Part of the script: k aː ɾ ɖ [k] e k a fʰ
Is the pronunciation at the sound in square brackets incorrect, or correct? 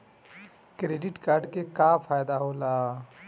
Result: correct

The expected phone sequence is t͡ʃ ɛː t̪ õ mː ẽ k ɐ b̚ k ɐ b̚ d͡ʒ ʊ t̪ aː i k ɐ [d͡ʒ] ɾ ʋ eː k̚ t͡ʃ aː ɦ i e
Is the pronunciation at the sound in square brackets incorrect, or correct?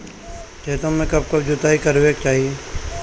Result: incorrect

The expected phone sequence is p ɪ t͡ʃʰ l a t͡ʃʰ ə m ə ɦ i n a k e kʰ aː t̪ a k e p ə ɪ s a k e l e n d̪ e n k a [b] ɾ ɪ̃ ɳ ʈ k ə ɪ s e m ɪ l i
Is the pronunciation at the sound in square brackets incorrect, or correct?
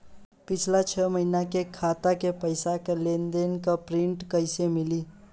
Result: incorrect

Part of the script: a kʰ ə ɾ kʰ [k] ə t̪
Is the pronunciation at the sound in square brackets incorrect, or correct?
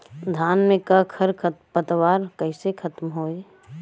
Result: incorrect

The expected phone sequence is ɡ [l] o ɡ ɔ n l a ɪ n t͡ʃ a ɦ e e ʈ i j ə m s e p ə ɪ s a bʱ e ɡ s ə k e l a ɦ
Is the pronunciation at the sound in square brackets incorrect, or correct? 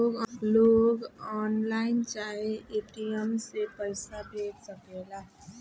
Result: correct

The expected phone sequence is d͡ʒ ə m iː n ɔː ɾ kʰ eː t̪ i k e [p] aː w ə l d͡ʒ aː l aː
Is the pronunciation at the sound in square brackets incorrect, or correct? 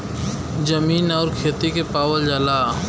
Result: correct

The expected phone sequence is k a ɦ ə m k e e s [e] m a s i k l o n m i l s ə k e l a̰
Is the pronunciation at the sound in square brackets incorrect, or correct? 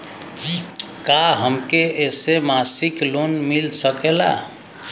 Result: correct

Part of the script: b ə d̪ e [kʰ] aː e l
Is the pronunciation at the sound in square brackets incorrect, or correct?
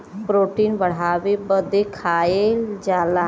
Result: correct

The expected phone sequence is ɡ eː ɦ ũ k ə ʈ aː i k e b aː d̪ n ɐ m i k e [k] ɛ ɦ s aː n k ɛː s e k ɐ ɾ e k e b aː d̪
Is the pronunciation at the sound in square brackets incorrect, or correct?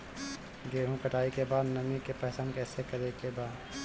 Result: incorrect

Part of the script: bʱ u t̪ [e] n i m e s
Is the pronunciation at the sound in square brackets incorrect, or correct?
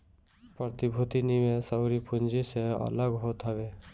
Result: incorrect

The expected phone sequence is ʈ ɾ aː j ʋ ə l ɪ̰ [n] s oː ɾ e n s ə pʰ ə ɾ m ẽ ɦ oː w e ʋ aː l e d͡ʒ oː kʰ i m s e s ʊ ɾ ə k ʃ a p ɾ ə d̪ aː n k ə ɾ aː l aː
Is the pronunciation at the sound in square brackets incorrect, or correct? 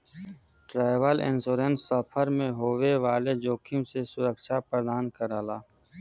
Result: correct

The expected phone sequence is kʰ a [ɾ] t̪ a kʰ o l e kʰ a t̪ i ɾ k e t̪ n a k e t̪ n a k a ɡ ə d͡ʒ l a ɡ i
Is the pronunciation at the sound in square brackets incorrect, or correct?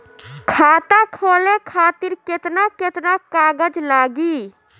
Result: incorrect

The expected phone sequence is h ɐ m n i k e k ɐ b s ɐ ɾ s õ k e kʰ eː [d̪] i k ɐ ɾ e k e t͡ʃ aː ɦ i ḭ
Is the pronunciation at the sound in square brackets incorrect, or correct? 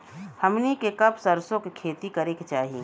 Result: incorrect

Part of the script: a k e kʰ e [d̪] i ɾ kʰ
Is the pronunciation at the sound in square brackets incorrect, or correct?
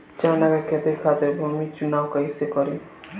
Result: incorrect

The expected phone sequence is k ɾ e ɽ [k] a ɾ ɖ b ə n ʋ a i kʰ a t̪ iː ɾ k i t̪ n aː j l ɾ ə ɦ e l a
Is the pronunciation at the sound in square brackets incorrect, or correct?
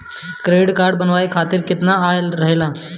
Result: correct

